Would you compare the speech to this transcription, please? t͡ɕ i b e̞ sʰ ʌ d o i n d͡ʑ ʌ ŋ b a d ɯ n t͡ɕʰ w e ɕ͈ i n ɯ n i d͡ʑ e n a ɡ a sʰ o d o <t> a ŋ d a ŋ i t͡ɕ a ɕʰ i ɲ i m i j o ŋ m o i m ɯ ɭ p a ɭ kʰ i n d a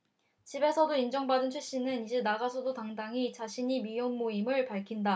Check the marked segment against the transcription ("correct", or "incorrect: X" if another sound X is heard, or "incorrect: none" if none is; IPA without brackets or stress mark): correct